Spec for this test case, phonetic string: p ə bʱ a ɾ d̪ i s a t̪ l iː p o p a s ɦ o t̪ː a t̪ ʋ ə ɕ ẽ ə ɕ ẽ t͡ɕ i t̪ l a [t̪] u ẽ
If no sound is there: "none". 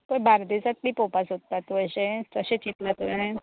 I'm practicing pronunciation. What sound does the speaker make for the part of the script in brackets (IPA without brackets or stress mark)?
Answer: t̪